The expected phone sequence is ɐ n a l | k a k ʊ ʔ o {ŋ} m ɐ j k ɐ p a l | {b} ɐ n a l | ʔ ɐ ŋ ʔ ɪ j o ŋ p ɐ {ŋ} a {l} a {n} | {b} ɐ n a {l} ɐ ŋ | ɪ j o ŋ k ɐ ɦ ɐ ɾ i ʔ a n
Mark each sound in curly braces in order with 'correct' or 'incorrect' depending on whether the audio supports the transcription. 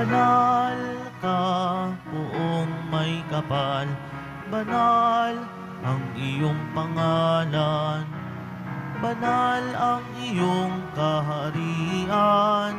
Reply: correct, correct, correct, correct, correct, correct, correct

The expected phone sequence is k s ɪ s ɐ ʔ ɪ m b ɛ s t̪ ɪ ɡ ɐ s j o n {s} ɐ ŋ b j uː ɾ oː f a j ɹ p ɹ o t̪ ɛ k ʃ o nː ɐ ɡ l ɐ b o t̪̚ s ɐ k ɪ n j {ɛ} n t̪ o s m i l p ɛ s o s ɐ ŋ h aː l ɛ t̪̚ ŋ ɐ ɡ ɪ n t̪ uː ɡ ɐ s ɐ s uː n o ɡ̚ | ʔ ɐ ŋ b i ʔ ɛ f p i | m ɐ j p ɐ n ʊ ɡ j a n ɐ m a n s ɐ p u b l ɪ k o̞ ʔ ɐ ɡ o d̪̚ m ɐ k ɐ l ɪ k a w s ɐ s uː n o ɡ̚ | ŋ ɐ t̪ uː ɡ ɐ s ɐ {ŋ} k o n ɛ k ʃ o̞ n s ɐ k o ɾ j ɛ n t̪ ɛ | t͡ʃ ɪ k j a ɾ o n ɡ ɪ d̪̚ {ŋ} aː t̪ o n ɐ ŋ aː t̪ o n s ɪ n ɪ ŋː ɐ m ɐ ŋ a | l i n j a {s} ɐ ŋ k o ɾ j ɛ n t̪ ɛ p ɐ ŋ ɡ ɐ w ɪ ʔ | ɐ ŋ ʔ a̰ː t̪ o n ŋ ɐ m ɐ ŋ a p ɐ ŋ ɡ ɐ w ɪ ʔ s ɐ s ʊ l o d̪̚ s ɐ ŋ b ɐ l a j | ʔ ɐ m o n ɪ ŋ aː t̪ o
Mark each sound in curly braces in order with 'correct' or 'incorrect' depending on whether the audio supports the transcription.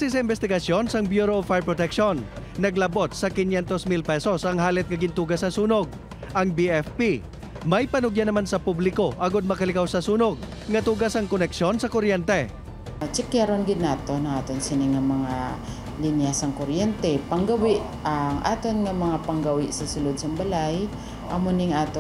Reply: correct, correct, correct, incorrect: n, correct

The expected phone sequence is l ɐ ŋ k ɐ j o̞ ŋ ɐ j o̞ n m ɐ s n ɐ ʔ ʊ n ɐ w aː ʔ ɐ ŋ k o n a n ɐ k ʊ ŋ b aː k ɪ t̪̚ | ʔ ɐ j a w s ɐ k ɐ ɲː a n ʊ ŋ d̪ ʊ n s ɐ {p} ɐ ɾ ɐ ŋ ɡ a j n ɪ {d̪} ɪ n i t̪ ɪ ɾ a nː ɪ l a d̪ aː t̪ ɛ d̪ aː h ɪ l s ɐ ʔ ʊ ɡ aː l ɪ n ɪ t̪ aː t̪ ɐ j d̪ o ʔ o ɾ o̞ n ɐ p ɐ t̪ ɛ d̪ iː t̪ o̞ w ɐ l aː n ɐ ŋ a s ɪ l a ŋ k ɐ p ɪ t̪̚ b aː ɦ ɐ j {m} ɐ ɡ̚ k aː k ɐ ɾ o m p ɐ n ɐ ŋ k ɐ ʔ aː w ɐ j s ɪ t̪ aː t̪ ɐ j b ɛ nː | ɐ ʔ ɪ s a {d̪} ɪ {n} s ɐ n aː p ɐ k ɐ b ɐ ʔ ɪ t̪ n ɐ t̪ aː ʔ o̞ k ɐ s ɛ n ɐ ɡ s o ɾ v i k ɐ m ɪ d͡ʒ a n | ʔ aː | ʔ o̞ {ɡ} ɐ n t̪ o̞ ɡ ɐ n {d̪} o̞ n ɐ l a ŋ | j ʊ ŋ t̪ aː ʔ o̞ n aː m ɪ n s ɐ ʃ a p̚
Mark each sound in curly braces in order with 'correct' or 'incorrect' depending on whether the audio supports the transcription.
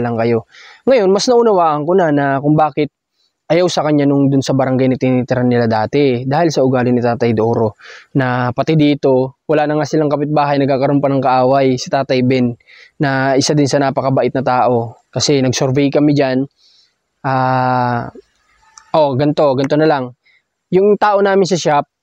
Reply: incorrect: b, incorrect: t̪, incorrect: n, correct, correct, correct, incorrect: t̪

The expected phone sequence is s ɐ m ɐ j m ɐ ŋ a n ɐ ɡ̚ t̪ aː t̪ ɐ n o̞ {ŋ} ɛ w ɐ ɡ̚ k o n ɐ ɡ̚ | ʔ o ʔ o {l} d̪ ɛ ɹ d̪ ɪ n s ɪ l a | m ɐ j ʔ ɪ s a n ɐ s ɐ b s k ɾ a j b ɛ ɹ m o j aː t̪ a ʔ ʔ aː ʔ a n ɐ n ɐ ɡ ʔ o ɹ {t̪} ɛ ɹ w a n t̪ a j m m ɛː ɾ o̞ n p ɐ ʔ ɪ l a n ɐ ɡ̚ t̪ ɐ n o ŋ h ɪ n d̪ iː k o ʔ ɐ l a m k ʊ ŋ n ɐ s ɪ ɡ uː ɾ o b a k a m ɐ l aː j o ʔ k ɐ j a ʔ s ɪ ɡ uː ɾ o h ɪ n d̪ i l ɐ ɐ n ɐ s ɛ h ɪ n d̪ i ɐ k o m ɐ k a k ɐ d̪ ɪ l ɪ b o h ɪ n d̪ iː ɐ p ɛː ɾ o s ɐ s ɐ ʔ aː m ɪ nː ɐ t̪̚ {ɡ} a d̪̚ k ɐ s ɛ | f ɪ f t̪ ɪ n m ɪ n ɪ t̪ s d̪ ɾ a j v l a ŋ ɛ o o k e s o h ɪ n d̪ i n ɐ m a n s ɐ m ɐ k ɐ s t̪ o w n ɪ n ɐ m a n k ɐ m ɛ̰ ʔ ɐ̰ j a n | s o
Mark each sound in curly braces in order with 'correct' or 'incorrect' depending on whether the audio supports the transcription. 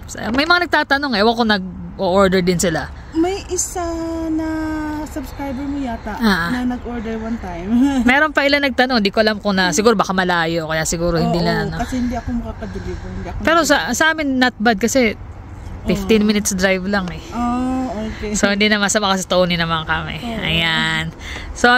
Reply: correct, incorrect: ɹ, incorrect: d̪, incorrect: b

